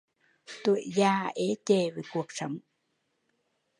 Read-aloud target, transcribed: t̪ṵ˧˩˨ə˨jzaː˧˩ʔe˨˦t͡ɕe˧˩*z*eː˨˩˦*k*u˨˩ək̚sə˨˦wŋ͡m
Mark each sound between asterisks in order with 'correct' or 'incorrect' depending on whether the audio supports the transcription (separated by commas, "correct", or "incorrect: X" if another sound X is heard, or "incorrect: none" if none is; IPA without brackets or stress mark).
incorrect: v, correct